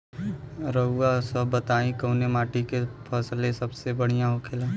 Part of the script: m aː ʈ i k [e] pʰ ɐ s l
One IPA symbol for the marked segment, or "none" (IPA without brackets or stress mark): e